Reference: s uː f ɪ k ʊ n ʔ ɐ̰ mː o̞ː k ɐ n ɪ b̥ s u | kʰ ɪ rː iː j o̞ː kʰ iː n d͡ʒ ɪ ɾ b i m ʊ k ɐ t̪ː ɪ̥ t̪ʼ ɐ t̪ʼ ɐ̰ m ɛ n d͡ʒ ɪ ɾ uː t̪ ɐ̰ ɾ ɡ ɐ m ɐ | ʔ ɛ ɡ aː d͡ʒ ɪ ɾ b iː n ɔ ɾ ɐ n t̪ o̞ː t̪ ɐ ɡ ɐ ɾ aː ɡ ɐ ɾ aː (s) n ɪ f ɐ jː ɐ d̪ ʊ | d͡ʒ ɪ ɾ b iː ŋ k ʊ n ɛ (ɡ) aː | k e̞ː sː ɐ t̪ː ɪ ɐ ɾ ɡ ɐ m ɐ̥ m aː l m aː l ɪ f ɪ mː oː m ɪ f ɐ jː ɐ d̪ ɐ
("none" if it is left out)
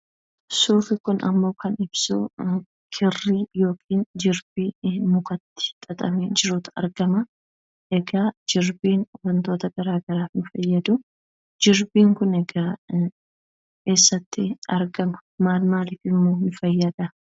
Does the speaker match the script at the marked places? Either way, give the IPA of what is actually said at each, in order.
f, ɡ

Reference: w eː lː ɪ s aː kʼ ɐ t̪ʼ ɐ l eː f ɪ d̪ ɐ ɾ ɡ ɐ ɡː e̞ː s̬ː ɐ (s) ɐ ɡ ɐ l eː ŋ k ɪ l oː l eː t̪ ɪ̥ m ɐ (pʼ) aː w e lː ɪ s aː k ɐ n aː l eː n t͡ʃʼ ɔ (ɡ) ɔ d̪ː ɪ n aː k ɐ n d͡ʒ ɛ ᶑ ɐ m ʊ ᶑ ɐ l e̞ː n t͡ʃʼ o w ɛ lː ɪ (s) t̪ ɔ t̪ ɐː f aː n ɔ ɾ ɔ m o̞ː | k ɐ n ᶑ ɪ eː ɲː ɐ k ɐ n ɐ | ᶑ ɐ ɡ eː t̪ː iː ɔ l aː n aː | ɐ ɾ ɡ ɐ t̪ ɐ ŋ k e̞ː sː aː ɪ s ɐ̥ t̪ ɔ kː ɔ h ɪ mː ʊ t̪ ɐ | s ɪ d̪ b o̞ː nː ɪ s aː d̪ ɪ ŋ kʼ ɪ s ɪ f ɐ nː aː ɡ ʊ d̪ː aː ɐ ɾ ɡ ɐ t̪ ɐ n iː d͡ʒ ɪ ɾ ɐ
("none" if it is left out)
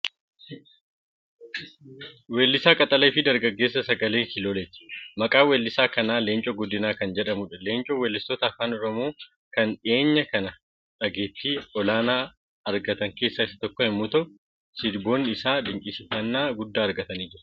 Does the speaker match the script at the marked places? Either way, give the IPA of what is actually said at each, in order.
s, kʼ, ɡ, s

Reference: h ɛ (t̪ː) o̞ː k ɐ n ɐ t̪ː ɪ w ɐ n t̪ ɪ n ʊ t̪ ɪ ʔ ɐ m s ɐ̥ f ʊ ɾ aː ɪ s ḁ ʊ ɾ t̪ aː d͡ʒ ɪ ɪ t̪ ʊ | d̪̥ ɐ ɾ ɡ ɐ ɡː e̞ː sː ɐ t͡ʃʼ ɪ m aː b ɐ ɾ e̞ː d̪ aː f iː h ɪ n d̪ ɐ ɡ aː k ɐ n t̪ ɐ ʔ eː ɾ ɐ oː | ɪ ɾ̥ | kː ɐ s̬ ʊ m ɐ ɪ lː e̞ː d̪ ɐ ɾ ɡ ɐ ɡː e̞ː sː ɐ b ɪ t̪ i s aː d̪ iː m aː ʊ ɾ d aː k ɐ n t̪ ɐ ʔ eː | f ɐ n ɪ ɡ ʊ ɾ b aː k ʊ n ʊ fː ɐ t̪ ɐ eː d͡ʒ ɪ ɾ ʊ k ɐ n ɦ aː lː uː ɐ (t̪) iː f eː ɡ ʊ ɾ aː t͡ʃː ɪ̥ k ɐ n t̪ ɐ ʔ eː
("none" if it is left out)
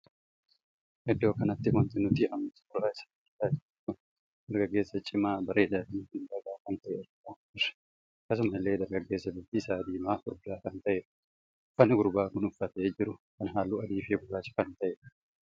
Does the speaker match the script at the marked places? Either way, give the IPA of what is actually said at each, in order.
d̪ː, d̪

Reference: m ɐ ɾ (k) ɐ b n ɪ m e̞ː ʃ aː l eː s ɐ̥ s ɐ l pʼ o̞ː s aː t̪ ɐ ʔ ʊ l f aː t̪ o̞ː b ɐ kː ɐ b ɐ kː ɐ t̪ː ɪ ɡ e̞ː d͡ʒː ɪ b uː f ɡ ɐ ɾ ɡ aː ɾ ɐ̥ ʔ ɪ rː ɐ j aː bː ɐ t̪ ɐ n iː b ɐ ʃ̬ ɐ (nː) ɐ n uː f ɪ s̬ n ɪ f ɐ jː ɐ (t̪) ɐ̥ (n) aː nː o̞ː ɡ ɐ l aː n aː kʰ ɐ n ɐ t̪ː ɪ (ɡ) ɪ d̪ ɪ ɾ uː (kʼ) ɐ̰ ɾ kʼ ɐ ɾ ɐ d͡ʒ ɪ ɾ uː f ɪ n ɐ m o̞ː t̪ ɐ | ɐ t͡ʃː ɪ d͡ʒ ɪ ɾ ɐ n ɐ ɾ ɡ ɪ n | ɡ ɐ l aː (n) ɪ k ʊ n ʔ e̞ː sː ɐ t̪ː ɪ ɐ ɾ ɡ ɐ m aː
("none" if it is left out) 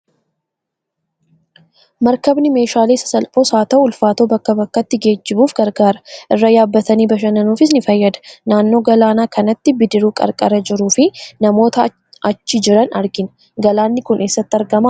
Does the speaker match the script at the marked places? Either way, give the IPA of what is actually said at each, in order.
k, n, d̪, n, b, kʼ, nː

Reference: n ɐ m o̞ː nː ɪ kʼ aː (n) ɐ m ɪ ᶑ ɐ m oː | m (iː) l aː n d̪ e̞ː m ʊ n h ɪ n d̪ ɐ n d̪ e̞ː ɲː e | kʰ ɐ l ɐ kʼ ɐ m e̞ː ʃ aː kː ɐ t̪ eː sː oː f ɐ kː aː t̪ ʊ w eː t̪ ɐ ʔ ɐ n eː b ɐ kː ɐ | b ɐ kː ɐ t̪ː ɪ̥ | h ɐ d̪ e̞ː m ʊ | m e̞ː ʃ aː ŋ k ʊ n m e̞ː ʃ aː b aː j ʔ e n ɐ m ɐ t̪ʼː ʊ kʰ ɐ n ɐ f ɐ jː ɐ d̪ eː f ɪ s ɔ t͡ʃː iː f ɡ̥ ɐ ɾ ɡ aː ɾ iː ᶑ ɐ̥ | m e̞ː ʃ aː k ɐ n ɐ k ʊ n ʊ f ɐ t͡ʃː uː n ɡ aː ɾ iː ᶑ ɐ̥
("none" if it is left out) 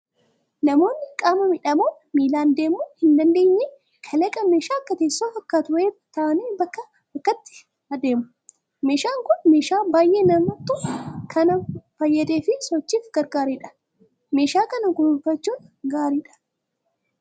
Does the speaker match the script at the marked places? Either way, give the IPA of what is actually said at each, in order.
m, iː

